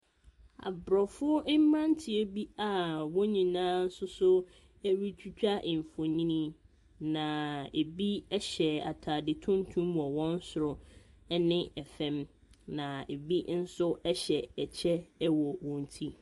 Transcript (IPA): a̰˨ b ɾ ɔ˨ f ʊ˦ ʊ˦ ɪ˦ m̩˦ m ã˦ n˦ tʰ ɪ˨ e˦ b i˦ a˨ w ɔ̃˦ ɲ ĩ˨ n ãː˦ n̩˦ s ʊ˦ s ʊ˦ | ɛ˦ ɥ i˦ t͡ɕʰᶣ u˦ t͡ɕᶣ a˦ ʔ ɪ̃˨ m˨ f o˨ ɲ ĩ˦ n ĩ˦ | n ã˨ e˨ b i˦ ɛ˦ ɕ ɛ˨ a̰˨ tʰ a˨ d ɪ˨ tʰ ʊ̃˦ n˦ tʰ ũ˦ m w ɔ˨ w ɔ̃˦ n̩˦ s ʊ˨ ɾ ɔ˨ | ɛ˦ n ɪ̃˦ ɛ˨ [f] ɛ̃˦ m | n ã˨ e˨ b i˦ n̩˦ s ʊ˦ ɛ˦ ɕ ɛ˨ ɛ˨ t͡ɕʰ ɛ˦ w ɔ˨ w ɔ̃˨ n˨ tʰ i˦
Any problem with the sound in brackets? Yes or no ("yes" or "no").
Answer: no